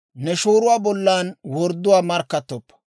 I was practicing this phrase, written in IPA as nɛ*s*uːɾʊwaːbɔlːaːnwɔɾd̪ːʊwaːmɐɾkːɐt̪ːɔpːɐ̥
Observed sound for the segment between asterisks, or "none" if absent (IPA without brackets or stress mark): ʃ